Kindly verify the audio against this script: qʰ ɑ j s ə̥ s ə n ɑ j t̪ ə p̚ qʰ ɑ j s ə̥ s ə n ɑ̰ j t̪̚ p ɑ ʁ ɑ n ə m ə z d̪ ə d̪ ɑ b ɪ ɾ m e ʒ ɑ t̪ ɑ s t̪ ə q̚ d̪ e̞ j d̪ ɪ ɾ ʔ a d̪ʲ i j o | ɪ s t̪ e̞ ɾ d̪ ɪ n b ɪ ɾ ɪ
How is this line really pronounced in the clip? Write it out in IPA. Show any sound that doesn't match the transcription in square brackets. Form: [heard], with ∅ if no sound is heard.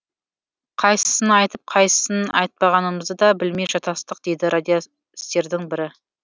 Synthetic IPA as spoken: qʰ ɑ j s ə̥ s ə n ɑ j t̪ ə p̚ qʰ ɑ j s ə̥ s ə n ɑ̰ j t̪̚ p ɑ ʁ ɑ n ə m ə z d̪ ə d̪ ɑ b ɪ [l] m e ʒ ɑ t̪ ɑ s t̪ ə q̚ d̪ e̞ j d̪ ɪ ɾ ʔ a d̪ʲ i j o | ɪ s t̪ e̞ ɾ d̪ ɪ [ŋ] b ɪ ɾ ɪ